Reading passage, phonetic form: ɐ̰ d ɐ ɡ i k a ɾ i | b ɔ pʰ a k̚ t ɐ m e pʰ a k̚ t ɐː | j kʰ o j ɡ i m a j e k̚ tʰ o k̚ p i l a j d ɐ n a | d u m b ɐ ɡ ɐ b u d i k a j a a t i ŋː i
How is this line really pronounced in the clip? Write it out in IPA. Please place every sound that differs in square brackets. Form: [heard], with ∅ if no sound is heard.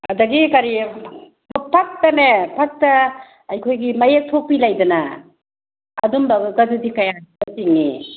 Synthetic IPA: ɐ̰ d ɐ ɡ i k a ɾ i | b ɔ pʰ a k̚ t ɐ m e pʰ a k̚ t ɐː | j kʰ o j ɡ i m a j e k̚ tʰ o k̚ p i l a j d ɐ n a | d u m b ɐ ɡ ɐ [d] u d i k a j a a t i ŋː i